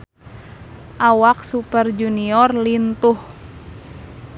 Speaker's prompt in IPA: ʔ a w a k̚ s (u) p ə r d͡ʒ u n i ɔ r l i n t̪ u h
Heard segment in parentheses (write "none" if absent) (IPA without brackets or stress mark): u